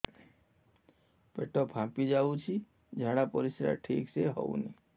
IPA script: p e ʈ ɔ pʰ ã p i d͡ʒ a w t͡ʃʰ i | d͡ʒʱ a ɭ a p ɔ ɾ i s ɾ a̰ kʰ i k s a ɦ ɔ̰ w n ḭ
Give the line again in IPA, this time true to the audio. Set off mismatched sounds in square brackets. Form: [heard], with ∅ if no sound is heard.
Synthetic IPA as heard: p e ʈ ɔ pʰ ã p i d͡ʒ a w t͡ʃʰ i | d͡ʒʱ a [ɽ] a p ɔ ɾ i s ɾ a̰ [ʈʰ] i k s [e] ɦ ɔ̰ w n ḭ